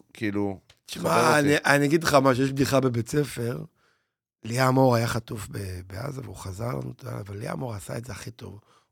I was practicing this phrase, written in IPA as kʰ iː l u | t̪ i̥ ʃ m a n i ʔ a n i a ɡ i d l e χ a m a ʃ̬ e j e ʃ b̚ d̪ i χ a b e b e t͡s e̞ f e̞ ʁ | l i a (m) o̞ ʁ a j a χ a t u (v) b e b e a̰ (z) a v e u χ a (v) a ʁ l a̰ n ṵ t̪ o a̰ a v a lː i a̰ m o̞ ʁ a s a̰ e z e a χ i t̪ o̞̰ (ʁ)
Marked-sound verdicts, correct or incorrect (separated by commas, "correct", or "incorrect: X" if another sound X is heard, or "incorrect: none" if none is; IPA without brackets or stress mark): correct, incorrect: f, correct, incorrect: z, incorrect: v